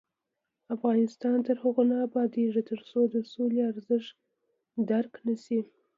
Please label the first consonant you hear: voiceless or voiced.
voiceless